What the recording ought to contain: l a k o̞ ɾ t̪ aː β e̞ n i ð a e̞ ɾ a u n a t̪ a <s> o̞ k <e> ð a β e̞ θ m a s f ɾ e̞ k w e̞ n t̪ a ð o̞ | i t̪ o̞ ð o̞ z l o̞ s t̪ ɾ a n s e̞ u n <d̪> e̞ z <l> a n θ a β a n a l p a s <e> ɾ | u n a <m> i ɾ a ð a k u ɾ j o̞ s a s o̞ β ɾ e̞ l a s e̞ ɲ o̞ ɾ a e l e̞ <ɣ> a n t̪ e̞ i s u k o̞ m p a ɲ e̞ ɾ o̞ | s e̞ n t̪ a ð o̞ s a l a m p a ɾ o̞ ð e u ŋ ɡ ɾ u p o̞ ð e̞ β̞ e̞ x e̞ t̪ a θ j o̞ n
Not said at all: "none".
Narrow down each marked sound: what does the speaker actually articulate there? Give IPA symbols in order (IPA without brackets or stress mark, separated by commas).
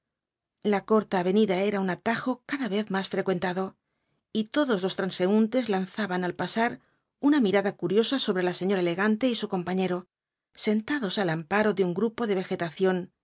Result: x, a, t̪, l, a, m, ɣ